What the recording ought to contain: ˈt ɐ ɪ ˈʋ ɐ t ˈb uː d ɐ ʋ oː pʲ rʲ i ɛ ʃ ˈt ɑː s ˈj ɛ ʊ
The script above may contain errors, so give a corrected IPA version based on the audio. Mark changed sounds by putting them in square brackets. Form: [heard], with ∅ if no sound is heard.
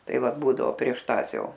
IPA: ˈt ɐ ɪ ˈʋ ɐ t ˈb uː d ɐ ʋ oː pʲ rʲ i ɛ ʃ ˈt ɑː s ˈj ɛ ʊ